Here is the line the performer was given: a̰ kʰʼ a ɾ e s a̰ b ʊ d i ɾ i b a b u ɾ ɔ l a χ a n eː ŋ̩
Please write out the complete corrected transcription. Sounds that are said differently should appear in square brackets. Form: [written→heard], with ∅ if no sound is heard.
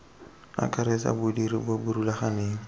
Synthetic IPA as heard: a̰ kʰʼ a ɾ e s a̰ b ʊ d i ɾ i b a b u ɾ [ɔ→u] l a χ a n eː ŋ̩